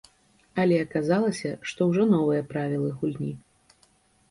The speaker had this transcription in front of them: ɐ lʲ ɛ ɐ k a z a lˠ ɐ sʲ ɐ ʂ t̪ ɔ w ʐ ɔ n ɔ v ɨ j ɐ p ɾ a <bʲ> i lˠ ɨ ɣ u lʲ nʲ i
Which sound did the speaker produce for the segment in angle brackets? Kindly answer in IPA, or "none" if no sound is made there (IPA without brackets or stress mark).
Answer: vʲ